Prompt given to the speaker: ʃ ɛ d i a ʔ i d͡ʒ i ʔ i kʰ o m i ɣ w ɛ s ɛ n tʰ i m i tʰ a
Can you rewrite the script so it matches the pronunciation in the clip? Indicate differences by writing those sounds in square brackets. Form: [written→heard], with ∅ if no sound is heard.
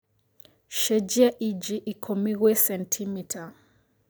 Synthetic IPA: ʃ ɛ [d→d͡ʒ] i a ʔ i d͡ʒ i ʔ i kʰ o m i ɣ w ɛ s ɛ n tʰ i m i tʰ a